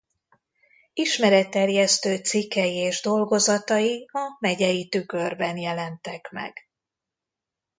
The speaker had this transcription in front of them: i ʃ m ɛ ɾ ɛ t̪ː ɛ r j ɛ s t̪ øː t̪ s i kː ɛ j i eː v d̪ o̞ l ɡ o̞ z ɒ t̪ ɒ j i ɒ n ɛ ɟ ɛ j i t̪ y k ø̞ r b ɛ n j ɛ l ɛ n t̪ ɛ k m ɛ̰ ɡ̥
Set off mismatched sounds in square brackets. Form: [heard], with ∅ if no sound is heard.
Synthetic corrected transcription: i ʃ m ɛ ɾ ɛ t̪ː ɛ r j ɛ s t̪ øː t̪ s i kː ɛ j i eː [ʒ] d̪ o̞ l ɡ o̞ z ɒ t̪ ɒ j i ɒ [m] ɛ ɟ ɛ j i t̪ y k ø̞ r b ɛ n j ɛ l ɛ n t̪ ɛ k m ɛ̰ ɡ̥

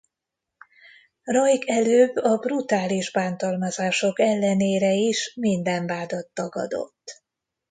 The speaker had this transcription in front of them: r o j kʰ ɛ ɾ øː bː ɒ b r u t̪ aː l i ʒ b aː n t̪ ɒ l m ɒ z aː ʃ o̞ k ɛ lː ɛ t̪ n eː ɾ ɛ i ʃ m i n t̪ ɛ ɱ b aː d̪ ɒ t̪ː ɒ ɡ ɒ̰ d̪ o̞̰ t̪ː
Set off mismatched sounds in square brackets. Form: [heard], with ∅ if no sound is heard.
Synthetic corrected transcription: r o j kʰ ɛ [l] øː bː ɒ b r u t̪ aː l i ʒ b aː n t̪ ɒ l m ɒ z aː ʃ o̞ k ɛ lː ɛ [∅] n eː ɾ ɛ i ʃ m i n [d̪] ɛ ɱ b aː d̪ ɒ t̪ː ɒ ɡ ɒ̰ d̪ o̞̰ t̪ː

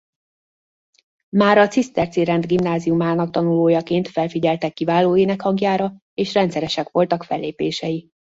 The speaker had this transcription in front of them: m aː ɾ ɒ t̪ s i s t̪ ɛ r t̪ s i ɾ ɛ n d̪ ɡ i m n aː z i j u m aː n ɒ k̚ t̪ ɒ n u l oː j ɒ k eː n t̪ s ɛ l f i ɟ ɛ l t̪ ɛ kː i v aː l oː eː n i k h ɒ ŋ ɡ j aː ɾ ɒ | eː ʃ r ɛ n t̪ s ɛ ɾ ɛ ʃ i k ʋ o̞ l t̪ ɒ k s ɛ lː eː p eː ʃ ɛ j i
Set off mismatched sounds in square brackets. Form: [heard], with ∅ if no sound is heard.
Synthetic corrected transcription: m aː ɾ ɒ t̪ s i s t̪ ɛ r t̪ s i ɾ ɛ n d̪ ɡ i m n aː z i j u m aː n ɒ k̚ t̪ ɒ n u l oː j ɒ k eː n t̪ [f] ɛ l f i ɟ ɛ l t̪ ɛ kː i v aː l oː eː n [ɛ] k h ɒ ŋ ɡ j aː ɾ ɒ | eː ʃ r ɛ n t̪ s ɛ ɾ ɛ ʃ [ɛ] k ʋ o̞ l t̪ ɒ k [f] ɛ lː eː p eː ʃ ɛ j i

